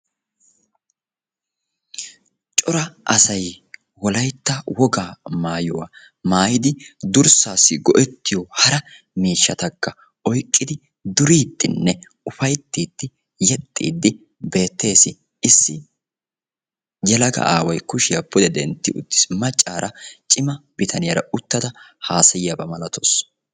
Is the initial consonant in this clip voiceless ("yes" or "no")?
yes